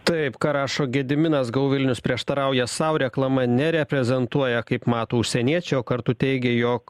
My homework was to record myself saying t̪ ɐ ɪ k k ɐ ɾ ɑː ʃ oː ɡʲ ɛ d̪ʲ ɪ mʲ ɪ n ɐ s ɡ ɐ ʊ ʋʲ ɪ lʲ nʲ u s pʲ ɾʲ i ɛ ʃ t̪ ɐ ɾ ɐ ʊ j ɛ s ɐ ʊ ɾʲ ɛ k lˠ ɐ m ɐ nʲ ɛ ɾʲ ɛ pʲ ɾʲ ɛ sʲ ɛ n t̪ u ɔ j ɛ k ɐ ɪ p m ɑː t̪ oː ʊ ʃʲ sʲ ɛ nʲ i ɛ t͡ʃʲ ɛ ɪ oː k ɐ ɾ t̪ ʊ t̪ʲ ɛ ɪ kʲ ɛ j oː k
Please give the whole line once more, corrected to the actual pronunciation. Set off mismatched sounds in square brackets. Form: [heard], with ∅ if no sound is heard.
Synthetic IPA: t̪ ɐ ɪ [p] k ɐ ɾ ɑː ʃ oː ɡʲ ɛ d̪ʲ ɪ mʲ ɪ n ɐ s ɡ ɐ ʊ ʋʲ ɪ lʲ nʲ [ʊ] s pʲ ɾʲ i ɛ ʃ t̪ ɐ ɾ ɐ ʊ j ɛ s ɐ ʊ ɾʲ ɛ k lˠ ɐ m ɐ nʲ ɛ ɾʲ ɛ pʲ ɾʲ ɛ [zʲ] ɛ n t̪ u ɔ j ɛ k ɐ ɪ p m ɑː t̪ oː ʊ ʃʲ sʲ ɛ nʲ i ɛ t͡ʃʲ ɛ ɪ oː k ɐ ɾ t̪ ʊ t̪ʲ ɛ ɪ [ɡʲ] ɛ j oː k